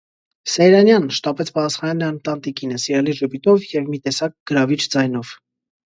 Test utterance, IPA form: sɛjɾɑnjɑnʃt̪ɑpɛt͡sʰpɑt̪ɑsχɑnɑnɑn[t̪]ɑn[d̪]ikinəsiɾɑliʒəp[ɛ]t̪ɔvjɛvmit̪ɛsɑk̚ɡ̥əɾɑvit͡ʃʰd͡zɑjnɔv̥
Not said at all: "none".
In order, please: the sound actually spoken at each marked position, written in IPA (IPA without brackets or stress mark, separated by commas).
t̪, t̪, i